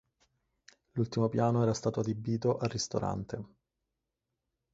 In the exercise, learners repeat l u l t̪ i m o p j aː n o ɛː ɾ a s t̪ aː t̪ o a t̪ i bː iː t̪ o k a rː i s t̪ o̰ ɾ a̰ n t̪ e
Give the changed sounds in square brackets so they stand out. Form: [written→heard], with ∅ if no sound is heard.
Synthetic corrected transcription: l u l t̪ i m o p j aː n o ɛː ɾ a s t̪ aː t̪ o a [t̪→d̪] i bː iː t̪ o [k→ʔ] a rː i s t̪ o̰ ɾ a̰ n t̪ e